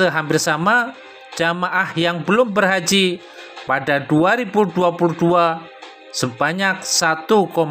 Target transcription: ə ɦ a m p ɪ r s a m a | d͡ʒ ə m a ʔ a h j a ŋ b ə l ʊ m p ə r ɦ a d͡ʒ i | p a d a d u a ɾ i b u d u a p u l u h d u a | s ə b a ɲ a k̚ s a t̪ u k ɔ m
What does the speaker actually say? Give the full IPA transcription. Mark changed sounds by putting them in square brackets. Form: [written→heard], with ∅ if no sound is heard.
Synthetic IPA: ə ɦ a m p ɪ r s a m a | d͡ʒ [ə→a] m a ʔ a h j a ŋ b ə l ʊ m [p→b] ə r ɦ a d͡ʒ i | p a d a d u a ɾ i b u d u a p u l u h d u a | s ə b a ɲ a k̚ s a t̪ u k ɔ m